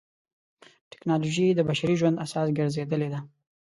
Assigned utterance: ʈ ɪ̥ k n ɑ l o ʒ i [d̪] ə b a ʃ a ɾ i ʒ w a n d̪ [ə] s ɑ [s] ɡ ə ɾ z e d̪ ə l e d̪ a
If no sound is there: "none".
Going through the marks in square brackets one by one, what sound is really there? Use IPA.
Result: d̪, a, s

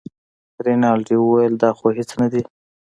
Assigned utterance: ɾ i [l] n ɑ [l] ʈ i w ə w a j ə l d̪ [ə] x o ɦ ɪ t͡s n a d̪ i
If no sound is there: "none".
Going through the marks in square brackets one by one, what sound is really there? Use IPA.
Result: none, l, ɑ

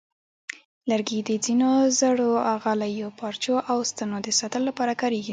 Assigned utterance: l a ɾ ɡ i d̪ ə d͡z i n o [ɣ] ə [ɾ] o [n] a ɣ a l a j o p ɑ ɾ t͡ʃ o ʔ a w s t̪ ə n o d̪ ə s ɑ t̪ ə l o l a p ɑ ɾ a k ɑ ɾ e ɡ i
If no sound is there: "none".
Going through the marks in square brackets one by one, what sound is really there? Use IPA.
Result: z, ɽ, none

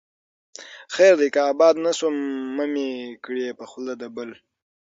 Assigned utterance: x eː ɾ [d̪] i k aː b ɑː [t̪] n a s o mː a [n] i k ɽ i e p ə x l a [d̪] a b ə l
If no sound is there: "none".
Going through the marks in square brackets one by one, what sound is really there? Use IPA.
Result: d̪, d̪, m, d̪

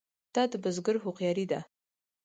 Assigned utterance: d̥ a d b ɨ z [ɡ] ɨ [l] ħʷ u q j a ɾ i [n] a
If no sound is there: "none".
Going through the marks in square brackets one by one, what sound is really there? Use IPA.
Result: ɡ, r, d

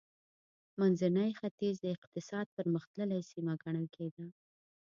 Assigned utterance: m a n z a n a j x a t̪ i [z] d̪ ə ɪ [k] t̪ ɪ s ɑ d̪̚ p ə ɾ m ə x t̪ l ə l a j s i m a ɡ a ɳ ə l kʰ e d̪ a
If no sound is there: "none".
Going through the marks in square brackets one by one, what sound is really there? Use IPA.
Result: z, q

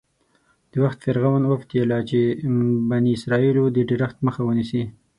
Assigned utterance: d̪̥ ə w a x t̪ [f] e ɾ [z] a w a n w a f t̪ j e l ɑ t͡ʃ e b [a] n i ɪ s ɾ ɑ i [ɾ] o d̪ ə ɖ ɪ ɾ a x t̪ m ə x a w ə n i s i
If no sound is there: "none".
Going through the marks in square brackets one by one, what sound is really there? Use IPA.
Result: f, ɣ, a, l

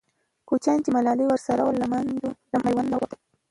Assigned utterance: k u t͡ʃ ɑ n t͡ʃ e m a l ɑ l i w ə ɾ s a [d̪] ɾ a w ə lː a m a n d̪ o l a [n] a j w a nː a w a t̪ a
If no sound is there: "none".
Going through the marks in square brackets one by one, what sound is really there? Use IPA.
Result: none, m

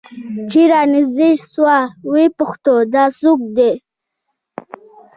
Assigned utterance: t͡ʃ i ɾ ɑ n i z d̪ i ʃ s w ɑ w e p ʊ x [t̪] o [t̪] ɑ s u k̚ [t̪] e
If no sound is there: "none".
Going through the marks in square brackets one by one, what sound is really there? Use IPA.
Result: t̪, d̪, d̪

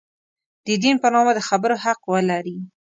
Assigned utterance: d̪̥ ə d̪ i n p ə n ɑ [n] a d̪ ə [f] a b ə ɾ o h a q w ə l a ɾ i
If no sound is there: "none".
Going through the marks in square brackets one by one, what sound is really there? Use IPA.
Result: m, x

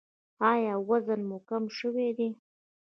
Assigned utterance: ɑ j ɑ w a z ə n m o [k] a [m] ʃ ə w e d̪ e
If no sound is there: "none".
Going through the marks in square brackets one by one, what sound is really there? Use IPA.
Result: k, m

